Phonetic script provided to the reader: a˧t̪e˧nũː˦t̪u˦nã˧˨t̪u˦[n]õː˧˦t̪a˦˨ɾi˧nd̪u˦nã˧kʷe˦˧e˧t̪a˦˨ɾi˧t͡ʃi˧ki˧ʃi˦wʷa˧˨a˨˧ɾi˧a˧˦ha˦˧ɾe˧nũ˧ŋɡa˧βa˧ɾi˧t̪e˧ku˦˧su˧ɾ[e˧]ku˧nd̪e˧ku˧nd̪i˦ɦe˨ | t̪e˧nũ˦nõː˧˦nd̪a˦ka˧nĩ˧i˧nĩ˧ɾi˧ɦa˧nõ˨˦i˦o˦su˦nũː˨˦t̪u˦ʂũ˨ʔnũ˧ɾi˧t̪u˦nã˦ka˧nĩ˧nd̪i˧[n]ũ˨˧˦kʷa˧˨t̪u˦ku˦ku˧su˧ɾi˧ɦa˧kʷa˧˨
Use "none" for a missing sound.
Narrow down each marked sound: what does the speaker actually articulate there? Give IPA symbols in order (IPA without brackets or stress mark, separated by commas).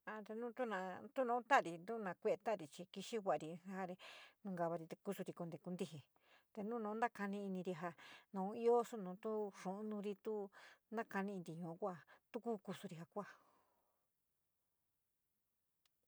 n, i˧, ɲ